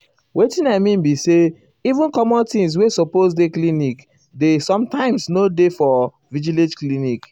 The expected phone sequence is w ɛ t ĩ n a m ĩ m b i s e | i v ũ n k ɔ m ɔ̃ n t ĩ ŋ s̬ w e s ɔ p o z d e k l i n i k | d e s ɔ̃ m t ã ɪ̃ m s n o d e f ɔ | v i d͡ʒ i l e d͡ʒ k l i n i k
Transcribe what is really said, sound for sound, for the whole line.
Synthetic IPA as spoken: w e t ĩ n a m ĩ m b i s e | i v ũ n k ɔ m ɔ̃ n t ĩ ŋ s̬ w e s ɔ p o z d e k l i n i k | d e s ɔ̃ m t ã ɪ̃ m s n o d e f ɔ | v i d͡ʒ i l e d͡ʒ k l i n i k